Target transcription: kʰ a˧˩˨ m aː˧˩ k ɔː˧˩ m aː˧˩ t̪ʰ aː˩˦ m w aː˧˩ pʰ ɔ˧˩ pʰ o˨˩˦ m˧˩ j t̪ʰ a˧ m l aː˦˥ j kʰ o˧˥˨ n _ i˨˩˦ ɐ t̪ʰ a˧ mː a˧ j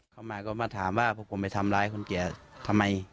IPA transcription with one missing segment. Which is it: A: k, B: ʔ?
A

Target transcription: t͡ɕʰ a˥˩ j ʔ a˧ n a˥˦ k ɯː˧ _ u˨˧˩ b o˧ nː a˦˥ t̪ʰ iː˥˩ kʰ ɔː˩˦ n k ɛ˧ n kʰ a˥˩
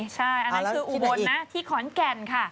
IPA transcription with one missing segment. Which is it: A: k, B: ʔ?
B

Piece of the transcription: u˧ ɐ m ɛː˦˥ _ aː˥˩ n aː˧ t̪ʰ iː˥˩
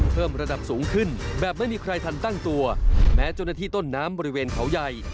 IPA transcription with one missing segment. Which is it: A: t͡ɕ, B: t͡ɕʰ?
A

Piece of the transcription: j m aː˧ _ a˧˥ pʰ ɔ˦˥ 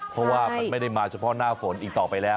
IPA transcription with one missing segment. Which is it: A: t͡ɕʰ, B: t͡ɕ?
A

